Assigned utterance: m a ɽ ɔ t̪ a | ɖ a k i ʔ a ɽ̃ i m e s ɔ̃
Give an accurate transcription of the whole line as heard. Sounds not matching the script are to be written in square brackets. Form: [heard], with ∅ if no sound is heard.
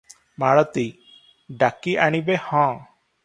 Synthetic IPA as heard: m a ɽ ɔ t̪ [i] | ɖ a k i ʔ a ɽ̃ i [b] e [h] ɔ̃

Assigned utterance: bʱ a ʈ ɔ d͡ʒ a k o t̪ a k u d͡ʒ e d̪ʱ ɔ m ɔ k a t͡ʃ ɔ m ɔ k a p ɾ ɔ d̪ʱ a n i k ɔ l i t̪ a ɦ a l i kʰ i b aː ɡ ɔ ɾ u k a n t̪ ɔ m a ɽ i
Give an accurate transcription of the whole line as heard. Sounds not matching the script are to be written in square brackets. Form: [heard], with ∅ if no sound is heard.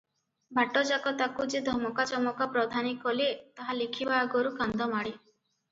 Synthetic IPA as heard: bʱ a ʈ ɔ d͡ʒ a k [ɔ] t̪ a k u d͡ʒ e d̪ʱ ɔ m ɔ k a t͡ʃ ɔ m ɔ k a p ɾ ɔ d̪ʱ a n i k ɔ l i t̪ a ɦ a l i kʰ i b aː ɡ ɔ ɾ u k a n [d̪] ɔ m a ɽ i

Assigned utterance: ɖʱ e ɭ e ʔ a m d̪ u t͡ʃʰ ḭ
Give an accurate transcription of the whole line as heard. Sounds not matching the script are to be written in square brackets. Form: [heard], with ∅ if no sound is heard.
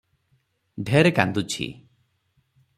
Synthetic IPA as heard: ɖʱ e [ɾ] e [k] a [n] d̪ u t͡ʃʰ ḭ

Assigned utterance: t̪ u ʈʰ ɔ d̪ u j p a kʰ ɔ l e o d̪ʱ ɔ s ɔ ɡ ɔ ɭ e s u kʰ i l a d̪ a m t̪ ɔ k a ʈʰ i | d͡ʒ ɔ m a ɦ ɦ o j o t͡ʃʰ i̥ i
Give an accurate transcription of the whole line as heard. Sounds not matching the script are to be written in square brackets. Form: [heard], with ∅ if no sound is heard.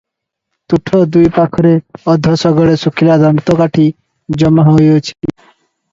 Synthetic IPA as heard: t̪ u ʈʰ ɔ d̪ u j p a kʰ ɔ [ɾ] e [ɔ] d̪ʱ ɔ s ɔ ɡ ɔ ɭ e s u kʰ i l a d̪ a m t̪ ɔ k a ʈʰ i | d͡ʒ ɔ m a ɦ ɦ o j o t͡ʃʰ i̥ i

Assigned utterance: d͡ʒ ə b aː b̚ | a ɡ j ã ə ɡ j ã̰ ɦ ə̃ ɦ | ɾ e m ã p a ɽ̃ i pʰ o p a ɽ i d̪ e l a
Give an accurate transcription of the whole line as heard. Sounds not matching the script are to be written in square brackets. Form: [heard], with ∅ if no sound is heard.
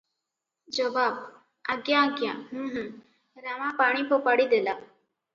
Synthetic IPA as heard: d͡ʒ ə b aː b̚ | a ɡ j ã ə ɡ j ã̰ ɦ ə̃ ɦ | ɾ [a] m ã p a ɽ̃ i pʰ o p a ɽ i d̪ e l a

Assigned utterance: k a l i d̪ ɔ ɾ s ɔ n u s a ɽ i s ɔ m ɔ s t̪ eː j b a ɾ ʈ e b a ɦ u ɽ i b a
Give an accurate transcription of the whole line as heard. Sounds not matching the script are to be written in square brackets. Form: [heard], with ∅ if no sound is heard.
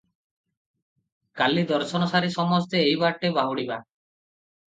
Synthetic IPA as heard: k a l i d̪ ɔ ɾ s ɔ n [ɔ] s a [ɾ] i s ɔ m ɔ s t̪ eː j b a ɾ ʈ e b a ɦ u ɽ i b a

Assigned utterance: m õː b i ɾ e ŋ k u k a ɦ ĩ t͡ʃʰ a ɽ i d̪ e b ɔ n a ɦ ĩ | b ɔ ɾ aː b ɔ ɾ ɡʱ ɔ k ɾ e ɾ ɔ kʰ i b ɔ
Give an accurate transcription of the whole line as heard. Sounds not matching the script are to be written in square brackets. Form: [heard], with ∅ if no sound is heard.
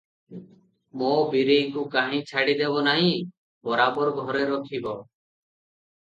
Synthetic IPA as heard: m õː b i ɾ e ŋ k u k a ɦ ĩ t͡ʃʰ a ɽ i d̪ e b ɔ n a ɦ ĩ | b ɔ ɾ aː b ɔ ɾ ɡʱ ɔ [∅] ɾ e ɾ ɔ kʰ i b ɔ

